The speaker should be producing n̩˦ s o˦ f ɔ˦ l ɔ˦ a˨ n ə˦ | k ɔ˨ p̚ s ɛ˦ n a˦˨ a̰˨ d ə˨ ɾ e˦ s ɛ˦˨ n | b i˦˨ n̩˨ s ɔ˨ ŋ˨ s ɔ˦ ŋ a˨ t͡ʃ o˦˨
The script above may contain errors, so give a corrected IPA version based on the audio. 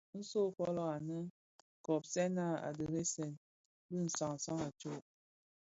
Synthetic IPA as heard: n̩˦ s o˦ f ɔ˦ l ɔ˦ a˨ n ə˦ | k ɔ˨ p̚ s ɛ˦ n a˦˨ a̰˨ d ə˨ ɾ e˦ s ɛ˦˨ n | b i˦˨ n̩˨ s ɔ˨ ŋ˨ s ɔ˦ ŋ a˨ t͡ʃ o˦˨